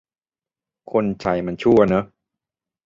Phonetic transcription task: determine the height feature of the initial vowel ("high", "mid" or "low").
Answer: mid